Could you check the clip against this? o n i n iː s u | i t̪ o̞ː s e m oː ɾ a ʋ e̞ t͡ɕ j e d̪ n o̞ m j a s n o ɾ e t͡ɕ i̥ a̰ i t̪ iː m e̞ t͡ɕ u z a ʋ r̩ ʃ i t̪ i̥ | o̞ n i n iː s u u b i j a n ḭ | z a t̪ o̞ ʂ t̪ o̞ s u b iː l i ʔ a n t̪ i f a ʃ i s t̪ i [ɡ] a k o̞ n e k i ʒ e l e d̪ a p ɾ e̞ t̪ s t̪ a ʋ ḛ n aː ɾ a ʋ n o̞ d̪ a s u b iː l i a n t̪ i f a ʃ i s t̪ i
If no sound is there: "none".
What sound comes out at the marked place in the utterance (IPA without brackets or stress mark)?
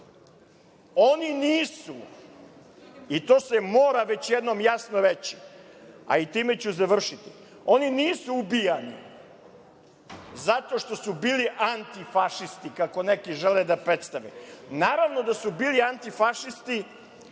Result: k